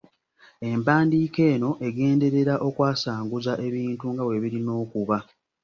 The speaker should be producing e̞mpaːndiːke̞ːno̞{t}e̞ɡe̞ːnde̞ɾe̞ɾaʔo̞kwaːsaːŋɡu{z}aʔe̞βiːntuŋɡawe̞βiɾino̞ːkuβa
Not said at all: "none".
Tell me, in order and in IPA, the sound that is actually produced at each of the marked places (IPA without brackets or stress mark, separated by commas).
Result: ʔ, z